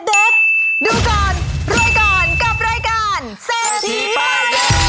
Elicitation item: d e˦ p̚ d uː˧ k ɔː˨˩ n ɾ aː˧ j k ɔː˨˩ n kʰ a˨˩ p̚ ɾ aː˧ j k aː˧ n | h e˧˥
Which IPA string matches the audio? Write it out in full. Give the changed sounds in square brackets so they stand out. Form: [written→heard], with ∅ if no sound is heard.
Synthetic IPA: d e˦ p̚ d uː˧ k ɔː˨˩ n ɾ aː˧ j k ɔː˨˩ n [kʰ→k] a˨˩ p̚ ɾ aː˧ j k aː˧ n | [h→s] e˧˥